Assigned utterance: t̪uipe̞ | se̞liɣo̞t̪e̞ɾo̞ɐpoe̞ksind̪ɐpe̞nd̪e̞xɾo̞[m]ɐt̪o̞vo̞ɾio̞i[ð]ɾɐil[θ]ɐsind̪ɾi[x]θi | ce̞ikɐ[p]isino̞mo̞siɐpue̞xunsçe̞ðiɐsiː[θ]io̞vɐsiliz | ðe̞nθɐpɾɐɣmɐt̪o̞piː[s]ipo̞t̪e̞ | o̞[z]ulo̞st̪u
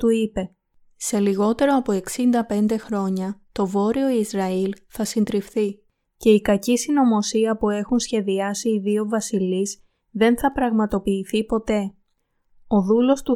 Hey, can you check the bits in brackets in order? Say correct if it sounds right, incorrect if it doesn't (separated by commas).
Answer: incorrect, incorrect, correct, incorrect, incorrect, incorrect, incorrect, incorrect